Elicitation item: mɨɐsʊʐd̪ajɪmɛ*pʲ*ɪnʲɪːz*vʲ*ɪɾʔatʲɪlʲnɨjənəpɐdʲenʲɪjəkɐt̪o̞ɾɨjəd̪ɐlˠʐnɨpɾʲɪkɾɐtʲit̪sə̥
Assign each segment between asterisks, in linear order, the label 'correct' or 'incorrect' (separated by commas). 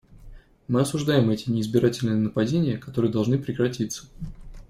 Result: incorrect, incorrect